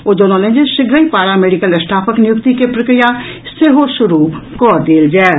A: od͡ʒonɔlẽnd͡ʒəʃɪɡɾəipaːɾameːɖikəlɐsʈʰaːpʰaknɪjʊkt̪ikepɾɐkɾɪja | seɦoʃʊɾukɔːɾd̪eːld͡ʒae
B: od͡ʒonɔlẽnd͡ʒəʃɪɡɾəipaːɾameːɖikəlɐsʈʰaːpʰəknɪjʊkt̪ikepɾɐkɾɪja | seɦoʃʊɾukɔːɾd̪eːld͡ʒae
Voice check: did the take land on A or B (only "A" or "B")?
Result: B